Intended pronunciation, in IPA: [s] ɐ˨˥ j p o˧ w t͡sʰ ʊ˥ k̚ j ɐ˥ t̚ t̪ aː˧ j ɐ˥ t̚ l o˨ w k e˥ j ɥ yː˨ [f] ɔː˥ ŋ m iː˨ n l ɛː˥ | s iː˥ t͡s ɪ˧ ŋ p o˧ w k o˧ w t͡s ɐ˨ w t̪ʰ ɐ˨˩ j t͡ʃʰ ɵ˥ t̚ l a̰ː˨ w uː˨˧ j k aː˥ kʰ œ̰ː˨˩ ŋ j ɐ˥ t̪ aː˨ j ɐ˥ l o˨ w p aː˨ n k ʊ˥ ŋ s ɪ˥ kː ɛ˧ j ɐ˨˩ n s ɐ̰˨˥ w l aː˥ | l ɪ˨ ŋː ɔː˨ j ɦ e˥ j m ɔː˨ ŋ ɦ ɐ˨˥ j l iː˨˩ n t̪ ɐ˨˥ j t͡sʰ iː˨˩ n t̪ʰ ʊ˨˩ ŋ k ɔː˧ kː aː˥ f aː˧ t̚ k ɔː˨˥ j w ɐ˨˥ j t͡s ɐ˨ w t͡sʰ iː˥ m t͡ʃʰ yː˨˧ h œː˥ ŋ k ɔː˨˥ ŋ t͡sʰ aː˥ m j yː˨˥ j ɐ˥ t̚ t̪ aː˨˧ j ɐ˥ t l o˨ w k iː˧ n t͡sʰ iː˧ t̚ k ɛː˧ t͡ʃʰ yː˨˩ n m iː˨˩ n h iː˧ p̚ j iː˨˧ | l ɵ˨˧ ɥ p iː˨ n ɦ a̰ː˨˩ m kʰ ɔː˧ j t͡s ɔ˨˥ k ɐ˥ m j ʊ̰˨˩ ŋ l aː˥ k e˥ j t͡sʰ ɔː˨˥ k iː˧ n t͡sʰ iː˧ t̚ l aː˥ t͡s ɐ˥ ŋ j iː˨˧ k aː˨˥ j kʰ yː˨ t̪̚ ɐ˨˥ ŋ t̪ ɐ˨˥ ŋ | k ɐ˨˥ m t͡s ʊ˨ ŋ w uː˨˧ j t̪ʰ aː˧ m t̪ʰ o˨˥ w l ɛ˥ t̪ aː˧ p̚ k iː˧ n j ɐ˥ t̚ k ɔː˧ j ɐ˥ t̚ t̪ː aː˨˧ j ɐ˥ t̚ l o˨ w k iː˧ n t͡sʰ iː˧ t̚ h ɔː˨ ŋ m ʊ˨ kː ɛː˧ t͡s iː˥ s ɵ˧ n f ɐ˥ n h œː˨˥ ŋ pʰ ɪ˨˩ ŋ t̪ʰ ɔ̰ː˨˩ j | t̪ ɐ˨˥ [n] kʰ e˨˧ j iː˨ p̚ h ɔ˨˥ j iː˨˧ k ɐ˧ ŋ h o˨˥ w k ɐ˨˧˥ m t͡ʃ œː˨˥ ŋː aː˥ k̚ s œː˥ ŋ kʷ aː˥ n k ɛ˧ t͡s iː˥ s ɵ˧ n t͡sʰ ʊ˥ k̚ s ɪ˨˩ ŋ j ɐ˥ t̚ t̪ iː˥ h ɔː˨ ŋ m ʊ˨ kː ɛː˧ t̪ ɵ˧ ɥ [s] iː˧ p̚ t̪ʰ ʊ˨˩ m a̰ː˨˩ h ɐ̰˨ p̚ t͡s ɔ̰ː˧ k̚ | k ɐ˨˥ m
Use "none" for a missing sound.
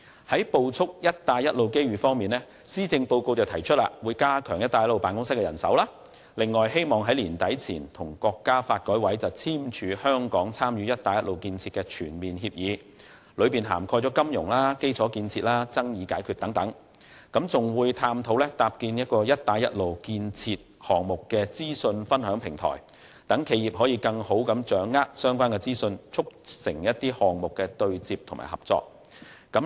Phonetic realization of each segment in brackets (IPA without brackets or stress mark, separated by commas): h, f, ŋ, t͡s